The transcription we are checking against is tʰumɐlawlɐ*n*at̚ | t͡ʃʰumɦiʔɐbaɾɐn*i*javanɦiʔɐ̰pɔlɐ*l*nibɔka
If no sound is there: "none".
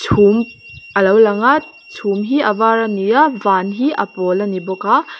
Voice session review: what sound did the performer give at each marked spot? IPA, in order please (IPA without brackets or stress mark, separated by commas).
ŋ, i, none